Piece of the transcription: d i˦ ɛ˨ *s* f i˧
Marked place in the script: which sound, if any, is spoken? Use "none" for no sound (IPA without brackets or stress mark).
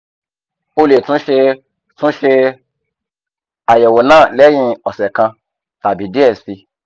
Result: s